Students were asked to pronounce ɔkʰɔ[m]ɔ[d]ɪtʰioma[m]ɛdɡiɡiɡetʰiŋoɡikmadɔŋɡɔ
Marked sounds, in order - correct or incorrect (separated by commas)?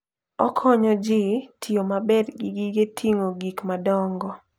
incorrect, incorrect, incorrect